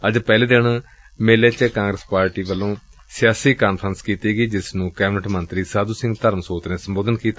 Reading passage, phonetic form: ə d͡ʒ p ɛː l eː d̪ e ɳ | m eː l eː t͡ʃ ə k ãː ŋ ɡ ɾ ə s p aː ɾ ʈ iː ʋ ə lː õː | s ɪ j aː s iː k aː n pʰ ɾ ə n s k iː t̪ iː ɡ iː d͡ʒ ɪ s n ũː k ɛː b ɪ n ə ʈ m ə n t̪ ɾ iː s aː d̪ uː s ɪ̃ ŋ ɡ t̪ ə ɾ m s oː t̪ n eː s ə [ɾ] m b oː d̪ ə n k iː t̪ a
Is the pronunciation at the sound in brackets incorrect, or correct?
incorrect